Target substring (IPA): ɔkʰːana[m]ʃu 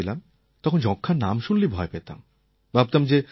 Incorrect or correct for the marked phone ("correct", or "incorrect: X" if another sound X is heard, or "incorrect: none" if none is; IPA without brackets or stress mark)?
correct